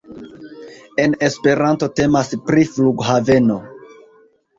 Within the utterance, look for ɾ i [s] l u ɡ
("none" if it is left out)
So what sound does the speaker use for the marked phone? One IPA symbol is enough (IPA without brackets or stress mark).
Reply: f